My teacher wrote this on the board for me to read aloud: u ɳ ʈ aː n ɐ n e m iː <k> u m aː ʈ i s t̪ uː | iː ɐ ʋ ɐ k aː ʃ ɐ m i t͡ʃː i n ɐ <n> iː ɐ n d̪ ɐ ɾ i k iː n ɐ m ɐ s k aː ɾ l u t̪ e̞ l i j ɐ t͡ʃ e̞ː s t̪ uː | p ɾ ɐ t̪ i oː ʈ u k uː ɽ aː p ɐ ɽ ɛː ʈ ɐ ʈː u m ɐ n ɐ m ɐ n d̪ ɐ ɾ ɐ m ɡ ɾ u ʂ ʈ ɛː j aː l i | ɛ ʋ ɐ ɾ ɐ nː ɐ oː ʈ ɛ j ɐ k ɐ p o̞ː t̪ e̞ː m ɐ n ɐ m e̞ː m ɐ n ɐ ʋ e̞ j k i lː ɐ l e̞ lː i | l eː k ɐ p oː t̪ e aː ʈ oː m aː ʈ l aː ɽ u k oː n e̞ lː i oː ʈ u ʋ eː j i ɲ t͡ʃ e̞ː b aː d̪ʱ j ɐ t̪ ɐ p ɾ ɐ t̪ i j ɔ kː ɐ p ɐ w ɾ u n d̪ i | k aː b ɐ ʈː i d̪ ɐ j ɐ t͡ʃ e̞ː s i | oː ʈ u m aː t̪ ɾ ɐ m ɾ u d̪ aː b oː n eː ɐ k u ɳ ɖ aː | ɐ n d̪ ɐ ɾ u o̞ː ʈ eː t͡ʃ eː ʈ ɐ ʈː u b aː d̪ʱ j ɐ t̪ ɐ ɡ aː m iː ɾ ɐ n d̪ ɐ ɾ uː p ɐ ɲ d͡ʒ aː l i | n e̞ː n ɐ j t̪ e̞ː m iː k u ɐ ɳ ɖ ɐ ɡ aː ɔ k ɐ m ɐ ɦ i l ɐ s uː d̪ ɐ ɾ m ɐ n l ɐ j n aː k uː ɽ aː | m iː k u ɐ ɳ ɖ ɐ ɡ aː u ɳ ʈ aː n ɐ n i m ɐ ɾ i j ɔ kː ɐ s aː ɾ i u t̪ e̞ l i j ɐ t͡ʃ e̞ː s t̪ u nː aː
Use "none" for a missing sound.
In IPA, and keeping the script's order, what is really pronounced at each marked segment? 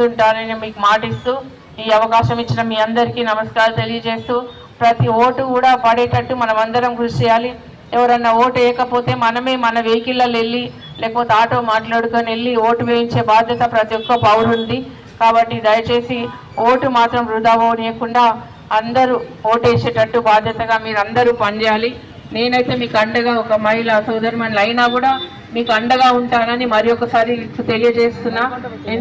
k, m

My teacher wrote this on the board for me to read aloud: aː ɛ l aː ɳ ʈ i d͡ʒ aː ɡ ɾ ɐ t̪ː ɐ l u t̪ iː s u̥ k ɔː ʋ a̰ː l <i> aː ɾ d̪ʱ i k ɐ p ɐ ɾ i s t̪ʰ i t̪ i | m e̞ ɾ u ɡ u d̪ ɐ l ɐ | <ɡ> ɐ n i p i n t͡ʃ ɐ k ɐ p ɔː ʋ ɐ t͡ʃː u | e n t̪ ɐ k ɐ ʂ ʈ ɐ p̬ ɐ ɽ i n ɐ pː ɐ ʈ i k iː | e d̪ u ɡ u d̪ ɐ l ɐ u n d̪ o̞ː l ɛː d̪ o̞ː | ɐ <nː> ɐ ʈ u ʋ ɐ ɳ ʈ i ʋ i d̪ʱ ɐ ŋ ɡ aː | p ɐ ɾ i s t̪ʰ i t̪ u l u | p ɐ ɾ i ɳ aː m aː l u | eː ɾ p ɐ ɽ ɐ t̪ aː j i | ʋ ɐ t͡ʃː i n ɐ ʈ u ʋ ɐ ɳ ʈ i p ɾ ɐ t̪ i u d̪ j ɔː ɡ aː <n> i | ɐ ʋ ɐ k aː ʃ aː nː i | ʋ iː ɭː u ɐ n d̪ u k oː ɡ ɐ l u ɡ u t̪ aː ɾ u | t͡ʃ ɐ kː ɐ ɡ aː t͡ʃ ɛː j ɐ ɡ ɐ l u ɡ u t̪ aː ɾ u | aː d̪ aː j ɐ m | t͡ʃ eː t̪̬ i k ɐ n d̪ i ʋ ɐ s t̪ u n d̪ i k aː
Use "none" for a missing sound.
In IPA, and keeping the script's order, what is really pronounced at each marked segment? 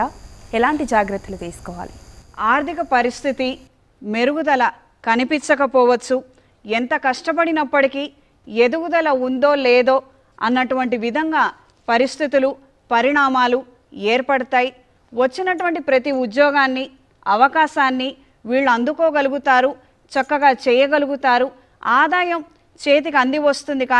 i, k, nː, nː

